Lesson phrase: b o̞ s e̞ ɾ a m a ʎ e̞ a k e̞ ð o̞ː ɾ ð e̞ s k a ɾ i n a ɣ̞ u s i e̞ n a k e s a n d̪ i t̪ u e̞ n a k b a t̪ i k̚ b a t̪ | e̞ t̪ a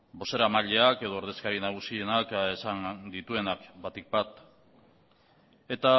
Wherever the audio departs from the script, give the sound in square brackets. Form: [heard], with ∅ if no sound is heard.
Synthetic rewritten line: b o̞ s e̞ ɾ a m a ʎ e̞ a k e̞ ð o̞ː ɾ ð e̞ s k a ɾ i n a ɣ̞ u s i e̞ n a k e s a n d̪ i t̪ u e̞ n a k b a t̪ i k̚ b a t̪ | e̞ t̪ a